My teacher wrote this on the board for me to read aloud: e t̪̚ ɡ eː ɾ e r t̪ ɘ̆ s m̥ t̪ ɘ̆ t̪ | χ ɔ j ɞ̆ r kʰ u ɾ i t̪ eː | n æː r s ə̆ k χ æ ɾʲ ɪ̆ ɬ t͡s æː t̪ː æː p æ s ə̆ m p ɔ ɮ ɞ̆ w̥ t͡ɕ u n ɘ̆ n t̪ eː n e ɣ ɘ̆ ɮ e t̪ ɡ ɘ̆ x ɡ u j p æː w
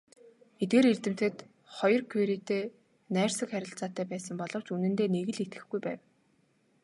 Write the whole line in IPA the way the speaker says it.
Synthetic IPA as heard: e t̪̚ ɡ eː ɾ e r t̪ ɘ̆ m̥ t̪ ɘ̆ t̪ | χ ɔ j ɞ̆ r kʰ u ɾ i t̪ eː | n æː r s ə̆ k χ æ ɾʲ ɪ̆ ɬ t͡s aː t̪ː æː p æː s ə̆ m p ɔ ɮ ɞ̆ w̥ t͡ɕ u n ɘ̆ n t̪ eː n e ɣ ɘ̆ ɮ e t̪ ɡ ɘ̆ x ɡ u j p æː w